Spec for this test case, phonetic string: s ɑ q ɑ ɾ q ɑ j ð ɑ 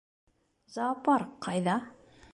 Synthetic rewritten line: z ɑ p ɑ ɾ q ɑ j ð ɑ